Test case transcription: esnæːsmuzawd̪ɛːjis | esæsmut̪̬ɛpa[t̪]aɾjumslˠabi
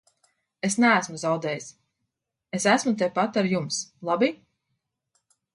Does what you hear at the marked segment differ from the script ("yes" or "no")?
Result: no